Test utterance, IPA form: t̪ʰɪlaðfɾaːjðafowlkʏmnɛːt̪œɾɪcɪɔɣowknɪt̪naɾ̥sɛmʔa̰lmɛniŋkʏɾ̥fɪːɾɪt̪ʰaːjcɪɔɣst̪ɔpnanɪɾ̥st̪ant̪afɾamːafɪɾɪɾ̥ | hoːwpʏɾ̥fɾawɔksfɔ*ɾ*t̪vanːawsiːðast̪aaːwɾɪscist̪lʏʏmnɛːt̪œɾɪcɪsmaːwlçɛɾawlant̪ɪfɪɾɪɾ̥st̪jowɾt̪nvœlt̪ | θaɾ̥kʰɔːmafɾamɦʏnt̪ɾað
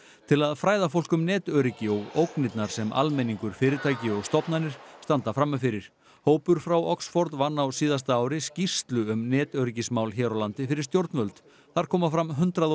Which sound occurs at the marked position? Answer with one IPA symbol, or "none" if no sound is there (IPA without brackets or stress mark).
ɾ